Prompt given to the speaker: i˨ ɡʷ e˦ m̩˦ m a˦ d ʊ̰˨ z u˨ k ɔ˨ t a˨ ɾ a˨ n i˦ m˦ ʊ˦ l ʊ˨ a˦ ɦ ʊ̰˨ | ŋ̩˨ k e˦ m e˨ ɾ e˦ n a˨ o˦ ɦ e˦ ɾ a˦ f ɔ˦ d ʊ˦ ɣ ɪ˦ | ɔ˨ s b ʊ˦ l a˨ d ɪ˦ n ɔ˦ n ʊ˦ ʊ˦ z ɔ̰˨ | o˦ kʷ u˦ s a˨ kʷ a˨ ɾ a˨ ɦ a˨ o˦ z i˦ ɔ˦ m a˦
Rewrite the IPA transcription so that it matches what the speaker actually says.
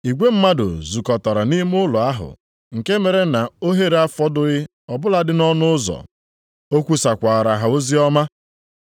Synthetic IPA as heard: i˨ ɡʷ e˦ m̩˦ m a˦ d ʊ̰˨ z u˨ k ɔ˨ t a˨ ɾ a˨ n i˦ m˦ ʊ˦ l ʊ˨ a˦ ɦ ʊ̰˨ | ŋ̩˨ k e˦ m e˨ ɾ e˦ n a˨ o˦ ɦ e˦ ɾ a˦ f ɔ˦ d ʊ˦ ɣ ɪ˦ | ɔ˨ b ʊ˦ l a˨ d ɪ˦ n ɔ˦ n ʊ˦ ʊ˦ z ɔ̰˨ | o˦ kʷ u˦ s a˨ kʷ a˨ ɾ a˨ ɦ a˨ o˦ z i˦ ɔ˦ m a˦

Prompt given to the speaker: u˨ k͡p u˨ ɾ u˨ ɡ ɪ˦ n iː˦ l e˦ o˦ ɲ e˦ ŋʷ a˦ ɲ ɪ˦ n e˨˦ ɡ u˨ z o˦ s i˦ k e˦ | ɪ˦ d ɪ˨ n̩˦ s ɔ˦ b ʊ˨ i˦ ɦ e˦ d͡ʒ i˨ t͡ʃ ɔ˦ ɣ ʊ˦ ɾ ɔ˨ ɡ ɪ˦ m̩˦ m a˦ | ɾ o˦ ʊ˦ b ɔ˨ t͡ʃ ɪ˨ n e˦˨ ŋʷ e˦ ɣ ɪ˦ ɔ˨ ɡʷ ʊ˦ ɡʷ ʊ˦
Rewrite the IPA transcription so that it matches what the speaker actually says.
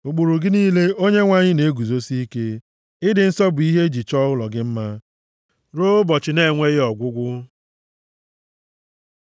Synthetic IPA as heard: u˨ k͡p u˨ ɾ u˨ ɡ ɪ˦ n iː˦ l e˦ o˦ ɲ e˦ ŋʷ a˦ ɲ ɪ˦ n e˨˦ ɡ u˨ z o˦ s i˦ k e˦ | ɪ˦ d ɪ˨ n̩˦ s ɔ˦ b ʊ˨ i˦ ɦ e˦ d͡ʒ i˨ t͡ʃ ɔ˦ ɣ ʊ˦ l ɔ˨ ɡ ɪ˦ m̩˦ m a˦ | ɾ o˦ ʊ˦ b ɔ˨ t͡ʃ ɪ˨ n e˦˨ ŋʷ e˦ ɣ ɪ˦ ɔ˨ ɡʷ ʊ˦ ɡʷ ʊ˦

